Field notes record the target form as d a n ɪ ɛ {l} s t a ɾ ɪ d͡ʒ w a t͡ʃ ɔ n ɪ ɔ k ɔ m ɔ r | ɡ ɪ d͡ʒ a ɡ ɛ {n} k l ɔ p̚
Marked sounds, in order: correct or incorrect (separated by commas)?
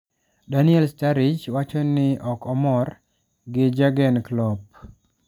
correct, correct